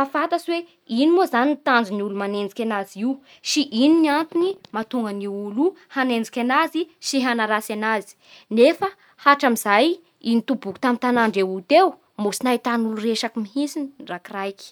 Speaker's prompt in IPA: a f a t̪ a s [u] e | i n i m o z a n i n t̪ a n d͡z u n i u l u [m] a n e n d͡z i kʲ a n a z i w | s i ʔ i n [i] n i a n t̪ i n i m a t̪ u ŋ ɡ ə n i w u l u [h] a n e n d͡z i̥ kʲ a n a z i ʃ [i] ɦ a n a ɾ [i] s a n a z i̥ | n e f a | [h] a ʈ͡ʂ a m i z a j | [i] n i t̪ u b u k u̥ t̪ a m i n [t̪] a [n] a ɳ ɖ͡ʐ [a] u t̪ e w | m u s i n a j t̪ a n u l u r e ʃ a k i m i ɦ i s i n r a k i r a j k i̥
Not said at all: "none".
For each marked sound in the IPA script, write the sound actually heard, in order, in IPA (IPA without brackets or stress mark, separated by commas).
w, m, i, h, i, a, h, i, t̪, n, e